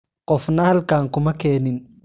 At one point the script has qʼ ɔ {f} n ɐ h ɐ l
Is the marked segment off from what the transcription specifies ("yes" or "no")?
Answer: no